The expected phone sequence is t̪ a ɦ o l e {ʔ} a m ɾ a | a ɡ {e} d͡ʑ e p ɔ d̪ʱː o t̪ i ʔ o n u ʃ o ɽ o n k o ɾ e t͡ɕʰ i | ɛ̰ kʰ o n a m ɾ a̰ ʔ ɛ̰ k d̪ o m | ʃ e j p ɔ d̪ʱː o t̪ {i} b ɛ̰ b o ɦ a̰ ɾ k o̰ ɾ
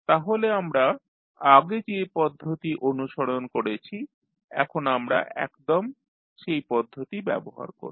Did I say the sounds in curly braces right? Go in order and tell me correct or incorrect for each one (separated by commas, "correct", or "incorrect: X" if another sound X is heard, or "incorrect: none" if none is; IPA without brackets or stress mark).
incorrect: none, correct, correct